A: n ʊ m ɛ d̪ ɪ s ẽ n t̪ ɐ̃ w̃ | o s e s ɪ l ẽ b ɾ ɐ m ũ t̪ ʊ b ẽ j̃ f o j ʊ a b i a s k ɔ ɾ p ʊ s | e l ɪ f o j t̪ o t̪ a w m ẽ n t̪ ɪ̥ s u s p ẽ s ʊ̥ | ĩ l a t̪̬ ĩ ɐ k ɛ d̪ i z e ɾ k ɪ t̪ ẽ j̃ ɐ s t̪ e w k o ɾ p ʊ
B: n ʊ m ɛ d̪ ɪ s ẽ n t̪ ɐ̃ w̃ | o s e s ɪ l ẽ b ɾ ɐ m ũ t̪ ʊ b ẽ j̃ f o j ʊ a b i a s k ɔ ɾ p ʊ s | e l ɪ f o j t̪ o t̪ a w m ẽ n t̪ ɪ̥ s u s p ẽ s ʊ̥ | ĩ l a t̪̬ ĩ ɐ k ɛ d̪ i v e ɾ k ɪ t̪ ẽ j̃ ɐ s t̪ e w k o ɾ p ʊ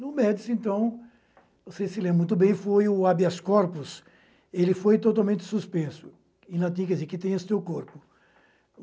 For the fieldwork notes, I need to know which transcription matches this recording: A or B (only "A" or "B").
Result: A